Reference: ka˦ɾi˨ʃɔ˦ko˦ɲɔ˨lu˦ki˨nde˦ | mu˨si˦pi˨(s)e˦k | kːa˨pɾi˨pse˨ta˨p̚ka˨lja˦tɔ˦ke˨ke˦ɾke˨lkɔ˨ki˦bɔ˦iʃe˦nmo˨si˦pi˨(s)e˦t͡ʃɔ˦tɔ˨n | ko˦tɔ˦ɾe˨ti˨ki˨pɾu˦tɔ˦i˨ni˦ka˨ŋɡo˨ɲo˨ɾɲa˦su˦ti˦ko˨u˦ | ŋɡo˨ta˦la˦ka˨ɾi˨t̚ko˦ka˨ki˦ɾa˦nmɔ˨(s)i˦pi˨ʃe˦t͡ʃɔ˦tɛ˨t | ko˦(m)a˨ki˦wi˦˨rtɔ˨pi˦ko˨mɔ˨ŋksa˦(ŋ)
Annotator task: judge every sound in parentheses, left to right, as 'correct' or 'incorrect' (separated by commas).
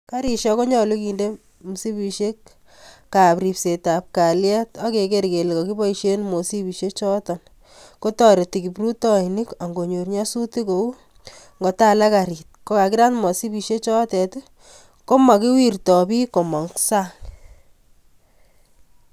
incorrect, incorrect, correct, correct, correct